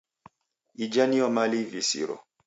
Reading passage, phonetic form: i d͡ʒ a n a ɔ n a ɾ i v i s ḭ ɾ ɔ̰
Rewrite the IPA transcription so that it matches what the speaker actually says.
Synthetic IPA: i d͡ʒ a n i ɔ m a l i v i s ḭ ɾ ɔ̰